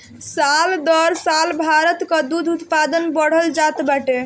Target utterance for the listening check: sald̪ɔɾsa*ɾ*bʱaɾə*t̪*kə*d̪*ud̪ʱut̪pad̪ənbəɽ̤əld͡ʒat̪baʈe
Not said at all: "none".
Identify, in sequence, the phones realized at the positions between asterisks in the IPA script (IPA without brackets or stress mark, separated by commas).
l, t̪, d̪